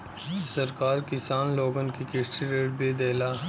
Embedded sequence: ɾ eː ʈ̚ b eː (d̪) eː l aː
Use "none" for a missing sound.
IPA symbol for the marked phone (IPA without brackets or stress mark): d̪